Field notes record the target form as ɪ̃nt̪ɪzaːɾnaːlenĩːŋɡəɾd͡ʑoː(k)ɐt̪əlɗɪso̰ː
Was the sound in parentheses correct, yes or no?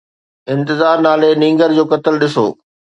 yes